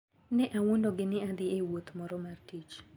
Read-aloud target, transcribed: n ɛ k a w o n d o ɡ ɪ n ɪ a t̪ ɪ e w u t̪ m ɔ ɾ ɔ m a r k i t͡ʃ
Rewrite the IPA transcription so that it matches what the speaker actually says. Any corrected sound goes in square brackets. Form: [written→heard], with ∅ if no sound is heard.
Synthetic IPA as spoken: n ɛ [k→ʔ] a w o n d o ɡ ɪ n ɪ a [t̪→d̪] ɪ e w [u→o] t̪ m ɔ ɾ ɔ m a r [k→t] i t͡ʃ